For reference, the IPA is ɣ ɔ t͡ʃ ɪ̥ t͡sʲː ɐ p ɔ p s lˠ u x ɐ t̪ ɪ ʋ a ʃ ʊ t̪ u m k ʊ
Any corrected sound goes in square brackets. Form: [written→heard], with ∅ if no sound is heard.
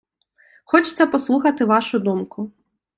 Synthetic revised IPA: [ɣ→x] ɔ t͡ʃ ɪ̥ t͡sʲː ɐ p ɔ [p→∅] s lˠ u x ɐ t̪ ɪ ʋ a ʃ ʊ [t̪→d̪] u m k ʊ